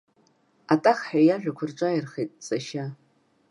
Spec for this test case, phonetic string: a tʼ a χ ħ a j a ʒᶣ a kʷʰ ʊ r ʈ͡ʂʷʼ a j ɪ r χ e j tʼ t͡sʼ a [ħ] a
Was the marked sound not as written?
yes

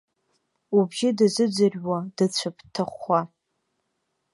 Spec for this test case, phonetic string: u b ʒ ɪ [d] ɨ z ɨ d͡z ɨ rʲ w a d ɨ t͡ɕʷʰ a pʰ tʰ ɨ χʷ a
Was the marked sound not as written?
no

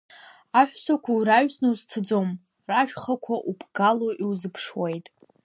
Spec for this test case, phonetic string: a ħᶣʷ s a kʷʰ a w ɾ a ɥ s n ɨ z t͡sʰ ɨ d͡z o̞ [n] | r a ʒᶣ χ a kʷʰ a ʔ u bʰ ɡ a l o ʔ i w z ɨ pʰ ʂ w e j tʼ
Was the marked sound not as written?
yes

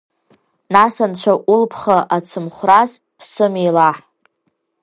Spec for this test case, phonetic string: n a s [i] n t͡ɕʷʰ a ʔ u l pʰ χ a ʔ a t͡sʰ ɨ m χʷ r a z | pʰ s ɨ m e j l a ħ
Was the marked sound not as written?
yes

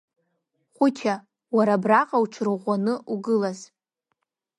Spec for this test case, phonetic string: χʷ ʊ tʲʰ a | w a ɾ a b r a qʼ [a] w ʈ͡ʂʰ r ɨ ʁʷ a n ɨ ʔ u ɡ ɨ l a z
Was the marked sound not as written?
no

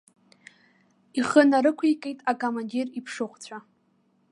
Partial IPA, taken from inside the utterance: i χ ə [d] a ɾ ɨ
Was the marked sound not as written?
yes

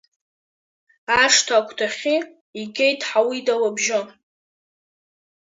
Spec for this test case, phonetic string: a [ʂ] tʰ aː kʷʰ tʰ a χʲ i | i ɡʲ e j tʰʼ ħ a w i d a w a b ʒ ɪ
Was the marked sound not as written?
no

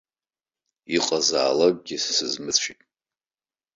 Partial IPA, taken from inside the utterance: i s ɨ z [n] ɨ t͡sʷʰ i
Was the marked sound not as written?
yes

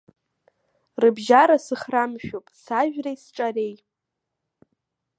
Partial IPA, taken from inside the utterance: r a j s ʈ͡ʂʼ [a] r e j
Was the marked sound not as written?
no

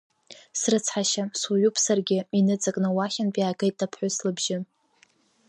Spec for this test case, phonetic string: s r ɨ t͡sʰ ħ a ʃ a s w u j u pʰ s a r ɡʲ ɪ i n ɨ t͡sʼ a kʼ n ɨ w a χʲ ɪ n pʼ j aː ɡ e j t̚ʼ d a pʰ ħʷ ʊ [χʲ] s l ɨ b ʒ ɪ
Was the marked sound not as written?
yes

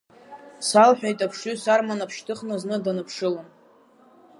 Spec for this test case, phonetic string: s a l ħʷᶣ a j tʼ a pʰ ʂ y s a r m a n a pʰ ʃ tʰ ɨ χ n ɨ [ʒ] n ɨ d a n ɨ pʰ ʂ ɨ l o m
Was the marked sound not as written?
yes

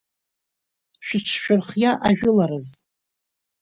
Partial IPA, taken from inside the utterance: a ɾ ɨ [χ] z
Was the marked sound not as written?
yes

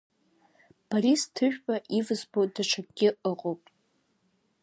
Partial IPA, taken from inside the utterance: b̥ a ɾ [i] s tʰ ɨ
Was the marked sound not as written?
no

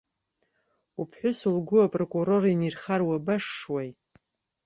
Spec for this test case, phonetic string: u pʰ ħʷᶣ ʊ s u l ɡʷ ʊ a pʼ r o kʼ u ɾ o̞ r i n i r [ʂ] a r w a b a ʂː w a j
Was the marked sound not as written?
yes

